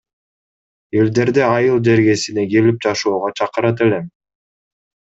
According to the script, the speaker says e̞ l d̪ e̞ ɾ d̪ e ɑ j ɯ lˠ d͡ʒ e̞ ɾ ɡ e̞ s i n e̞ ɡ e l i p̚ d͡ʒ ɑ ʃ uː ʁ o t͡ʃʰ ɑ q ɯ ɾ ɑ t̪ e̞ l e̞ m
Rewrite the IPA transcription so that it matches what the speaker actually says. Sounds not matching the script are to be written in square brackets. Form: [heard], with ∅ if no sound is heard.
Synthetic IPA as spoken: e̞ l d̪ e̞ ɾ d̪ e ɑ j ɯ lˠ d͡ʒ e̞ ɾ ɡ e̞ s i n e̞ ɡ e l i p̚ d͡ʒ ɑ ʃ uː ʁ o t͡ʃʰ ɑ q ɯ ɾ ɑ t̪ e̞ l e̞ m